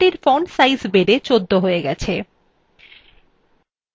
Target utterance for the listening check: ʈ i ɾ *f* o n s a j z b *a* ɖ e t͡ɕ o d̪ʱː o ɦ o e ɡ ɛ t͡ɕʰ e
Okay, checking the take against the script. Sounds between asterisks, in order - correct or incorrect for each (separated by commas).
correct, incorrect